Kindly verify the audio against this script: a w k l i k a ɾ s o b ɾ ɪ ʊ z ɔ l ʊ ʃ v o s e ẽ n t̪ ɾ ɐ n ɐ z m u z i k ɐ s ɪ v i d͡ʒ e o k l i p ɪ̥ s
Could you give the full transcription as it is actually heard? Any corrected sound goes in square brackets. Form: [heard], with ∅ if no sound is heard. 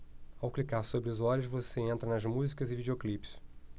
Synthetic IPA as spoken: a w k l i k a ɾ s o b ɾ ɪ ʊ z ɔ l ʊ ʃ v o s e ẽ n t̪ ɾ ɐ n ɐ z m u z i k ɐ [z] ɪ v i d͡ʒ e o k l i p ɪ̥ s